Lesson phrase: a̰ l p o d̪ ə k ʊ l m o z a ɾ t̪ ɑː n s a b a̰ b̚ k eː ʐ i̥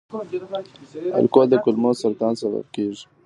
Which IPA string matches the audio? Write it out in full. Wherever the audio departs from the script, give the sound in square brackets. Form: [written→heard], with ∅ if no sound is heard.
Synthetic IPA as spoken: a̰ l [p→k] o d̪ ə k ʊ l m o [z→s] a ɾ t̪ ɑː n s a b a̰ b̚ k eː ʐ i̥